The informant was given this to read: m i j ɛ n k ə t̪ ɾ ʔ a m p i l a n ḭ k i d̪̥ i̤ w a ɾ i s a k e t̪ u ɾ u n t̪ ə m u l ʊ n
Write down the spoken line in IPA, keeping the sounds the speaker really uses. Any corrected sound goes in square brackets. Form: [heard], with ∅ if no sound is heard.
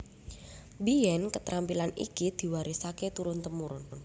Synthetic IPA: [b] i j ɛ n k ə t̪ ɾ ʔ a m p i l a n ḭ k i d̪̥ i̤ w a ɾ i s a k e t̪ u ɾ [ʊ] n t̪ ə m u [ɾ] ʊ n